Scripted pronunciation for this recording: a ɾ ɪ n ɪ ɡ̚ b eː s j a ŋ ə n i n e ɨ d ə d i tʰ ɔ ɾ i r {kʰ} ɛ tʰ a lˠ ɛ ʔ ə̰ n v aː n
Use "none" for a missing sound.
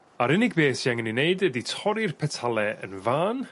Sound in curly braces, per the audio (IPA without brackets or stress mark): pʰ